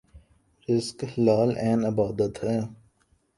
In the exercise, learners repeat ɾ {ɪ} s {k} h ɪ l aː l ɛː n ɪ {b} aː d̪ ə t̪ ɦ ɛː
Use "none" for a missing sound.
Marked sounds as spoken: ɪ, k, b

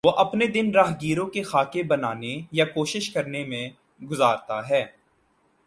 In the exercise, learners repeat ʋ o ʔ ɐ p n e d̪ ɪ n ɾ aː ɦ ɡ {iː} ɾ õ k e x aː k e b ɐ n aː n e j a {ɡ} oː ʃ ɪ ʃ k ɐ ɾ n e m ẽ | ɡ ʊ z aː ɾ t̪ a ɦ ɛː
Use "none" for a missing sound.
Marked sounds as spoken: iː, k

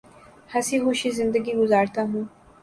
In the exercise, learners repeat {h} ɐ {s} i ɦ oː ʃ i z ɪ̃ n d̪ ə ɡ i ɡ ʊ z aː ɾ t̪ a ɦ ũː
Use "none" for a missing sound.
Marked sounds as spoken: h, s

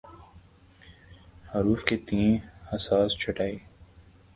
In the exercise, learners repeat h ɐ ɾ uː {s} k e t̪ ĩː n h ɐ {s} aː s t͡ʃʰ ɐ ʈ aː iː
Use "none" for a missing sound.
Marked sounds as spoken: f, s

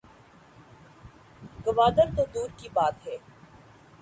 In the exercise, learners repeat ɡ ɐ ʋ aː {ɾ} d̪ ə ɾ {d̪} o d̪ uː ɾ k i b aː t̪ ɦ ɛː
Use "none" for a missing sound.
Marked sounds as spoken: none, t̪

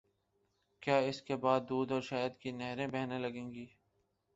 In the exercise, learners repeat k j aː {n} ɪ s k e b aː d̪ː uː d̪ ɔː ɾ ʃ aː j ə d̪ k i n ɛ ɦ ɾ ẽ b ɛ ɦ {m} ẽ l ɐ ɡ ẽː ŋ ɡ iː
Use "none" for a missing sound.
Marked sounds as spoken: none, n

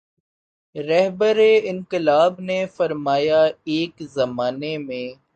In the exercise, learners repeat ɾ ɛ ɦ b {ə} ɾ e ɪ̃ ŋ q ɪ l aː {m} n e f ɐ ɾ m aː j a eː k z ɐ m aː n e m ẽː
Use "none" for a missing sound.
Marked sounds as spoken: ə, b

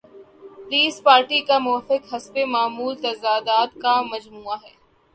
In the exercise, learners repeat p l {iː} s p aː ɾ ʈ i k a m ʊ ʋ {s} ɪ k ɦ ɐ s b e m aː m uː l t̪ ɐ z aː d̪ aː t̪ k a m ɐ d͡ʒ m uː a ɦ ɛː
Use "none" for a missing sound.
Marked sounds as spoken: iː, f

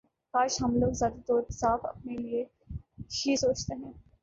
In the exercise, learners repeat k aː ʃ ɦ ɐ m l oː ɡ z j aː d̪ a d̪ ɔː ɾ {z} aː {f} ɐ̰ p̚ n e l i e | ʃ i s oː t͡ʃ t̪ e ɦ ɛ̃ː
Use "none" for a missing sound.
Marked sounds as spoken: s, f

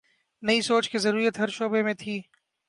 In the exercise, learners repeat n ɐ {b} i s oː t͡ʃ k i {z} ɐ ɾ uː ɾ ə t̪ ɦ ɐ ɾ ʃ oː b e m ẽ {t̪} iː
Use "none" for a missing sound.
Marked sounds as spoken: none, z, t̪ʰ

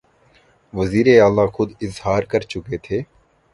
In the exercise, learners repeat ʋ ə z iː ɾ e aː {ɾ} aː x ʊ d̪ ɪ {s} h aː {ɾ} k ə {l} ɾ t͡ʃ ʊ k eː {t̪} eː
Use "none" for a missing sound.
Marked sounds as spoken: l, z, ɾ, none, t̪ʰ

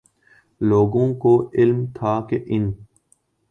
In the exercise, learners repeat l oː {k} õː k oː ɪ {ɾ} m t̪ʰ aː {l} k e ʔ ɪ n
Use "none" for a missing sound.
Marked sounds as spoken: ɡ, l, none

